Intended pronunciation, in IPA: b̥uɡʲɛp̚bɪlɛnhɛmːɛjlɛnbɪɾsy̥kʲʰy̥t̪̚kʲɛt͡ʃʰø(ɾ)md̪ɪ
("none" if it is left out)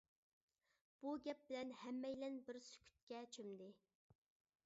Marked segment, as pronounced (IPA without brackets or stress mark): none